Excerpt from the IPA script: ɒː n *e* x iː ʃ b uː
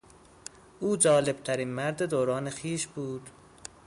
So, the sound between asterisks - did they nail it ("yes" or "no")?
yes